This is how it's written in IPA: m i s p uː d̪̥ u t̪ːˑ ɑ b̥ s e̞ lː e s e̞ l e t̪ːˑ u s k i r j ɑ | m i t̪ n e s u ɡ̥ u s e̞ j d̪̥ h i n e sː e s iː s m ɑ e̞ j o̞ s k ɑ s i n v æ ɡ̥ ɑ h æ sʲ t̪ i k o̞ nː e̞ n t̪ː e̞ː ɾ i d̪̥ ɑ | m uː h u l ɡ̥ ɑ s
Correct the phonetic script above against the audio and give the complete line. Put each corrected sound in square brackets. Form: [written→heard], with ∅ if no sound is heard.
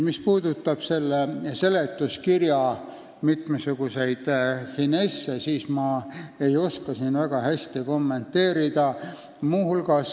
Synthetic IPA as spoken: m i s p uː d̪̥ u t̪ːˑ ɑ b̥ s e̞ lː e s e̞ l e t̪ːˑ u s k i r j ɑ | m i t̪ [n→m] e s u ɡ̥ u s e̞ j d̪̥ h i n e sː e s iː s m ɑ e̞ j o̞ s k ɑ s i n v æ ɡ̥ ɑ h æ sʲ t̪ i k o̞ [nː→mː] e̞ n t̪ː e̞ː ɾ i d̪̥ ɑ | m uː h u l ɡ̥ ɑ s